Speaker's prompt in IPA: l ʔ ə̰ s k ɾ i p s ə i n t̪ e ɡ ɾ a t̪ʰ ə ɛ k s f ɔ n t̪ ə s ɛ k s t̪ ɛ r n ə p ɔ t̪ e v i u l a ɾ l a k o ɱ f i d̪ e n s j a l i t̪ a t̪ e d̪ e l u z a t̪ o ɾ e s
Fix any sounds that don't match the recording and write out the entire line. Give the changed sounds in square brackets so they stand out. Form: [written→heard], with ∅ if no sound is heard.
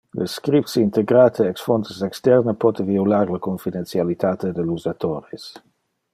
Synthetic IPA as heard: l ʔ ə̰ s k ɾ i p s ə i n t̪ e ɡ ɾ a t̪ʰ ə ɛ k s f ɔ n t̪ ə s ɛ k s t̪ ɛ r n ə p ɔ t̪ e v i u l a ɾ l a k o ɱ f i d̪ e n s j a l i t̪ a t̪ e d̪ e l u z a t̪ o ɾ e s